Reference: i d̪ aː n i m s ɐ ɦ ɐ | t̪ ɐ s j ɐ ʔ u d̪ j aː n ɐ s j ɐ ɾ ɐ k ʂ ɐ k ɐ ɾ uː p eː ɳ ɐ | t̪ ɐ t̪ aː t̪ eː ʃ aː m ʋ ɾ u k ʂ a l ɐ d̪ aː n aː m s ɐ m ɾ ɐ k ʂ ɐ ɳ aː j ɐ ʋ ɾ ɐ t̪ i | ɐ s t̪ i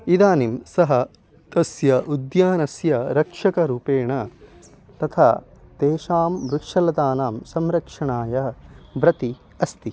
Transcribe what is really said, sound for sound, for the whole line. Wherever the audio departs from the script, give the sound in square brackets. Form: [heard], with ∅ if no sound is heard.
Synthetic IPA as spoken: i d̪ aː n i m s ɐ ɦ ɐ | t̪ ɐ s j ɐ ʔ u d̪ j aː n ɐ s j ɐ ɾ ɐ k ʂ ɐ k ɐ ɾ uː p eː ɳ ɐ | t̪ ɐ [t̪ʰ] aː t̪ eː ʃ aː m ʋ ɾ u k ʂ [ɐ] l ɐ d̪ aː n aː m s ɐ m ɾ ɐ k ʂ ɐ ɳ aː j ɐ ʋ ɾ ɐ t̪ i | ɐ s t̪ i